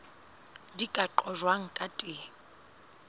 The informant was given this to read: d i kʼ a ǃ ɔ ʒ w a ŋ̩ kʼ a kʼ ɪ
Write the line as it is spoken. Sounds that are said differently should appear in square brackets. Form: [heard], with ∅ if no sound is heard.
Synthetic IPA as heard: d i kʼ a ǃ ɔ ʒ w a ŋ̩ kʼ a [tʼ] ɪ